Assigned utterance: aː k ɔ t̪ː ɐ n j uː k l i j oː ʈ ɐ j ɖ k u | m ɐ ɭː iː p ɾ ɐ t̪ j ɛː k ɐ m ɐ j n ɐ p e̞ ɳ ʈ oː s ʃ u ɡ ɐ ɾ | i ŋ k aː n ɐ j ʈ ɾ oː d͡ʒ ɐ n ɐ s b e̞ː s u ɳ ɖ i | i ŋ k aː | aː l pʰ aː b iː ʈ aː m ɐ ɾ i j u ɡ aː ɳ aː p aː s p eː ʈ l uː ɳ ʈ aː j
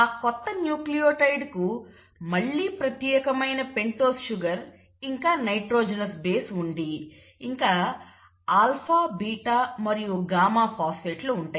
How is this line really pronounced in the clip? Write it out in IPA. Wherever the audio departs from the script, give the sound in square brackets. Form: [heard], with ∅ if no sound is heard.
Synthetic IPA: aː k ɔ t̪ː ɐ n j uː k l i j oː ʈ ɐ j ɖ k u | m ɐ ɭː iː p ɾ ɐ t̪ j ɛː k ɐ m ɐ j n ɐ p e̞ ɳ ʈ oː s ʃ u ɡ ɐ ɾ | i ŋ k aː n ɐ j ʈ ɾ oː d͡ʒ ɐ n ɐ s b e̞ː s u ɳ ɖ i | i ŋ k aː | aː l pʰ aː b iː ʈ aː m ɐ ɾ i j u ɡ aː [m] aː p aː s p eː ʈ l uː ɳ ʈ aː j